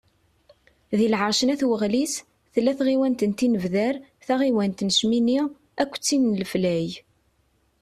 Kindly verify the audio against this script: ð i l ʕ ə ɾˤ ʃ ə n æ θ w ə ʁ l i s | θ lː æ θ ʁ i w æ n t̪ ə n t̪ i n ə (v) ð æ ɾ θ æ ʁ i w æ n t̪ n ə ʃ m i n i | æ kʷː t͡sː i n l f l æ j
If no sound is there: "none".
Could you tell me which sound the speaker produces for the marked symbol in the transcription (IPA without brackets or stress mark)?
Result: v